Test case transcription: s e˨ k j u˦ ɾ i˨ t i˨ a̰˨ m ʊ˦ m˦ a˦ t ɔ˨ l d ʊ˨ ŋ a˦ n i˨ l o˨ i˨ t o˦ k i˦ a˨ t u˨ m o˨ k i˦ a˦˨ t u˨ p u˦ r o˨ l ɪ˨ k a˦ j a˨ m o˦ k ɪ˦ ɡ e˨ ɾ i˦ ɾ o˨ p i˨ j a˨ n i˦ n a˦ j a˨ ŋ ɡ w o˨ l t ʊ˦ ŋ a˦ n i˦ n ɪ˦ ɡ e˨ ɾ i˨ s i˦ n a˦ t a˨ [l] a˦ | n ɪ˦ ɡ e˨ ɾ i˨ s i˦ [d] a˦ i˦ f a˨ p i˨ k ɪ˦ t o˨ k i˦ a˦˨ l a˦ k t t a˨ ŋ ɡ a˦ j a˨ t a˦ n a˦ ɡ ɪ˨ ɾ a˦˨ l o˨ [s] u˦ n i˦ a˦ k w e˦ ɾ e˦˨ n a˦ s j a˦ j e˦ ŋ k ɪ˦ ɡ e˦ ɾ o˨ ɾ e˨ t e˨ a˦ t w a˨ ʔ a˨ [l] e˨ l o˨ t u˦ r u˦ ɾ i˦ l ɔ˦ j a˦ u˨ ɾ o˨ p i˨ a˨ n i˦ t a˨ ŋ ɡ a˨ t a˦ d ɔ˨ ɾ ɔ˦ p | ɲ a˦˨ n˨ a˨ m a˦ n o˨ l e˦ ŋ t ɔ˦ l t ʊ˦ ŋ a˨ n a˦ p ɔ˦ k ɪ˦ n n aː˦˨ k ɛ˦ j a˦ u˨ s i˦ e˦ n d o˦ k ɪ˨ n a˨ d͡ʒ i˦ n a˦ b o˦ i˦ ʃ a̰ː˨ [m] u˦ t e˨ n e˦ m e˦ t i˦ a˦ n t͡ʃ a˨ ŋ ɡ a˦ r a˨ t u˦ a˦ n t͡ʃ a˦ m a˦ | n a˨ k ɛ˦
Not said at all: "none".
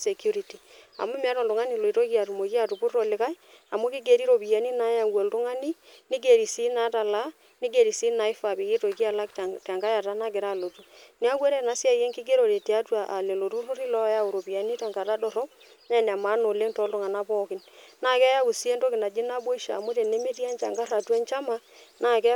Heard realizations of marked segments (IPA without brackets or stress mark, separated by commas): l, n, t, l, m